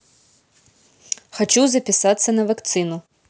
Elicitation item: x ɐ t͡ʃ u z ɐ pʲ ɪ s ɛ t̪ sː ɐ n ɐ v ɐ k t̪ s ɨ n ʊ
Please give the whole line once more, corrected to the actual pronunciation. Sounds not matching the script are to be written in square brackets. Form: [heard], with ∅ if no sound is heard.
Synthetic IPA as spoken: x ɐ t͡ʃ u z ɐ pʲ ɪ s [a] t̪ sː ɐ n ɐ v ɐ k t̪ s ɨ n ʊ